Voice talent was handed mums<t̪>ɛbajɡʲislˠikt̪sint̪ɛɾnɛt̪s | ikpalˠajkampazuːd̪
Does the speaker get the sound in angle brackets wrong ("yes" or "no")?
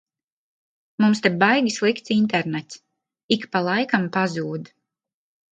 no